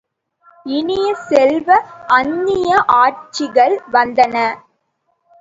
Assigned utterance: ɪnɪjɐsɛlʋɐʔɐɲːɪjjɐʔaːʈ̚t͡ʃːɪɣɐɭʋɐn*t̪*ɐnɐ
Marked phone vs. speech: incorrect: d̪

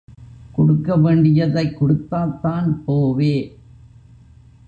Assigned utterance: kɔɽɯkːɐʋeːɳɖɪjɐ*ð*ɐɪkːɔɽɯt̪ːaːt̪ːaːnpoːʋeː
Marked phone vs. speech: correct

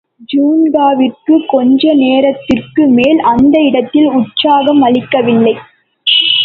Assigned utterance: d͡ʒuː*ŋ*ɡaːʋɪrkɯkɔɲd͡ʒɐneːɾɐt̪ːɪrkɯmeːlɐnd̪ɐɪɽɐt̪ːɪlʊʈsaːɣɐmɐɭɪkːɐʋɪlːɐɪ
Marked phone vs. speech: incorrect: n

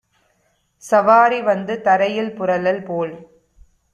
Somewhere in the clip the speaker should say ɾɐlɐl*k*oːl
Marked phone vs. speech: incorrect: p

